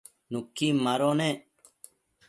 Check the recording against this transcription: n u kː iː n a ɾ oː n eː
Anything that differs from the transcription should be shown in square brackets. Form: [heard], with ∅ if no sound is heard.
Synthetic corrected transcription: n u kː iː [m] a ɾ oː n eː